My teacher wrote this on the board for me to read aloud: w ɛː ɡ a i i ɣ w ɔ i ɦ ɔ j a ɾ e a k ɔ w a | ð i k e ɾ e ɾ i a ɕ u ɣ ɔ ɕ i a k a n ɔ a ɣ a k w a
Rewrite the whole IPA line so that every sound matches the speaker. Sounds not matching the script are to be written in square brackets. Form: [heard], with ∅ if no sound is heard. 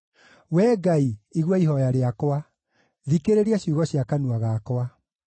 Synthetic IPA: w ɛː ɡ a i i ɣ w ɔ i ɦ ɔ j a ɾ e a k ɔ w a | ð i k e ɾ e ɾ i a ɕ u ɣ ɔ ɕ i a k a n [u] a ɣ a k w a